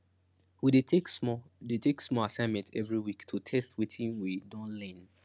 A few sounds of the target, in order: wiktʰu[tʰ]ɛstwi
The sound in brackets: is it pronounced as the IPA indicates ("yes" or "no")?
yes